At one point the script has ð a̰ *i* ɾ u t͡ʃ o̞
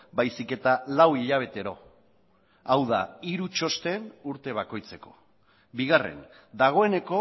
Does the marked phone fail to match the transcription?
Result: no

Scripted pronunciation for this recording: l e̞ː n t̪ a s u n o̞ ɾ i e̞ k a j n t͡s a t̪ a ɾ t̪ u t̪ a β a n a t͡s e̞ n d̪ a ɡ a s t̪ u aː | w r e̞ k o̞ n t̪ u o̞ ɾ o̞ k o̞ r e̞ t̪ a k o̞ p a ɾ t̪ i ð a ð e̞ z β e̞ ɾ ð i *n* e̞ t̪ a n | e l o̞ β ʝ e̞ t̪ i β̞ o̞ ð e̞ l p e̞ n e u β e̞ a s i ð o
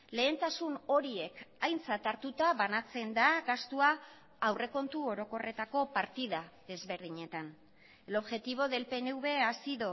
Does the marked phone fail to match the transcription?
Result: yes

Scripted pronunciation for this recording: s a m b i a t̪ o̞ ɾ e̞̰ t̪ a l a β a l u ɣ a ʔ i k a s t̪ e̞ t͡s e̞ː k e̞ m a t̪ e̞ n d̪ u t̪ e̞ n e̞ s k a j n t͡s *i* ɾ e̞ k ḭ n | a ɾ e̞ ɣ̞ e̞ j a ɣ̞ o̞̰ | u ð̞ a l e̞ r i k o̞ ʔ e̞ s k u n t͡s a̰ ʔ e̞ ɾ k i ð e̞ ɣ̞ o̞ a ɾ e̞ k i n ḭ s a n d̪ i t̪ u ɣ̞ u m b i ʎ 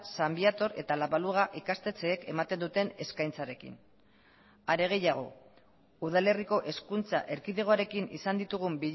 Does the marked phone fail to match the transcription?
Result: yes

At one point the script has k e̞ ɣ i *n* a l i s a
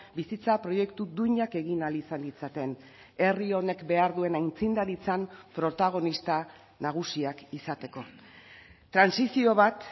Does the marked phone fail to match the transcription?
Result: no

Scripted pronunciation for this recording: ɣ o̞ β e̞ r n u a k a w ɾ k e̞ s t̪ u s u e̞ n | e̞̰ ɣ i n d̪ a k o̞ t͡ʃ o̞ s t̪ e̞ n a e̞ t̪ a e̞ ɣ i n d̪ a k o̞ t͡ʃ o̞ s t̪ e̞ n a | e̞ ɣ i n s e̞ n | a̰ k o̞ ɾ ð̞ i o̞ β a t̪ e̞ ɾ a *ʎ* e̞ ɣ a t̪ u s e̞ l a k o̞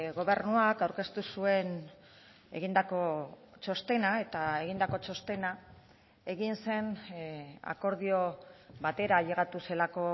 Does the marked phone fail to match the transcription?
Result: no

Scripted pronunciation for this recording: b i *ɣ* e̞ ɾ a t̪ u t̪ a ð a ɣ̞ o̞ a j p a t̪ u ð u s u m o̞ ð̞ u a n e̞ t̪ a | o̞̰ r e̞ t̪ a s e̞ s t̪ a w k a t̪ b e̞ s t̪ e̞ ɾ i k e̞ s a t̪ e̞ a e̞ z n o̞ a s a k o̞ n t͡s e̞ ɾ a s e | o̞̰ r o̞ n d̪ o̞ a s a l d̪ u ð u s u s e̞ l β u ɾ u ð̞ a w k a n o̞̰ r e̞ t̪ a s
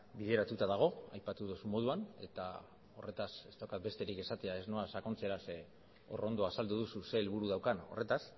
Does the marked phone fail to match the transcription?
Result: yes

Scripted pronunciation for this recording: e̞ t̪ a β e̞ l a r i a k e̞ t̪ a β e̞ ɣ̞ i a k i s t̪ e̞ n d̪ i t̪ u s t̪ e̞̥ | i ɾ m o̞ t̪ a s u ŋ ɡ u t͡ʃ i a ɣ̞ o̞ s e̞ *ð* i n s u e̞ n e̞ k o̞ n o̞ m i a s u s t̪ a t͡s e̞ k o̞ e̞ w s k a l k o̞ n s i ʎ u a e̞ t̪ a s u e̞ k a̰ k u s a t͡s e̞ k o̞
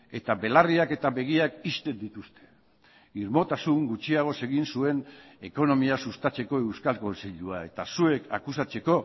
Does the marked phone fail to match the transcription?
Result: yes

